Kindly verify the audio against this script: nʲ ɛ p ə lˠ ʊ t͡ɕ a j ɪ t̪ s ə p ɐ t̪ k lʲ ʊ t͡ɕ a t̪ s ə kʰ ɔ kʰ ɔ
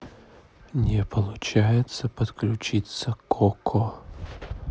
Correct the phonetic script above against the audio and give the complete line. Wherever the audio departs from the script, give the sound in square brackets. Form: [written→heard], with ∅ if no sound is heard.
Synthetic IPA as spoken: nʲ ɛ p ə lˠ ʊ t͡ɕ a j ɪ t̪ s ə p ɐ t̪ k lʲ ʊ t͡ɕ [a→i] t̪ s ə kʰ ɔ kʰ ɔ